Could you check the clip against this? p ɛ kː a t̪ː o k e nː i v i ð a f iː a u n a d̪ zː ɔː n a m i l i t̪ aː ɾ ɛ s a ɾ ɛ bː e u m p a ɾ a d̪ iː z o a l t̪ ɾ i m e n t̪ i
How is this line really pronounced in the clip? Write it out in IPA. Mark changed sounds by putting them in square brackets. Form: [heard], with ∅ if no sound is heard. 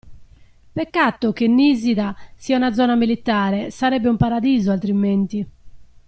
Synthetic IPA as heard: p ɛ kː a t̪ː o k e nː i [z] i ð a [s] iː a u n a d̪ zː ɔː n a m i l i t̪ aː ɾ ɛ s a ɾ ɛ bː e u m p a ɾ a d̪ iː z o a l t̪ ɾ i m e n t̪ i